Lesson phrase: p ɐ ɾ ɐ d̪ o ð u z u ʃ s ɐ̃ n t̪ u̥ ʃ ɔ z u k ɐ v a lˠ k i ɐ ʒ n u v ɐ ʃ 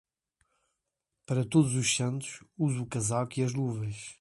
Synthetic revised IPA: p ɐ ɾ ɐ t̪ o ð u z u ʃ s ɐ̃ n t̪ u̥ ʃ u z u k ɐ z a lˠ k i ɐ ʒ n u v ɐ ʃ